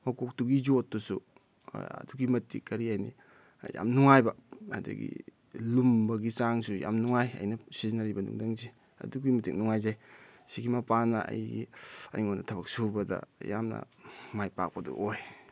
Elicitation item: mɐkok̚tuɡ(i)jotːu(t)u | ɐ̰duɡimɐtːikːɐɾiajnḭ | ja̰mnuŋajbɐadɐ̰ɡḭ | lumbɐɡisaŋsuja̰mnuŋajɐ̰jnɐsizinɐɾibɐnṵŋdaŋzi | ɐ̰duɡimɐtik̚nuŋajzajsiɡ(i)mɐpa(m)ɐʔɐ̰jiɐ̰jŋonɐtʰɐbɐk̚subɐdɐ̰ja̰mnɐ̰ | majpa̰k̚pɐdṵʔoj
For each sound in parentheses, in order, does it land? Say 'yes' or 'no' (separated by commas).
yes, no, yes, no